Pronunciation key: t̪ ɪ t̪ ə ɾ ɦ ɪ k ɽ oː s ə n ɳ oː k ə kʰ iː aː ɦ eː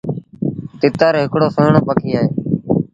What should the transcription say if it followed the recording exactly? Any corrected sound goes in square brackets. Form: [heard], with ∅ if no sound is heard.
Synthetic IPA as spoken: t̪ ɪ t̪ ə ɾ ɦ ɪ k ɽ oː s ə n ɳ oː [p] ə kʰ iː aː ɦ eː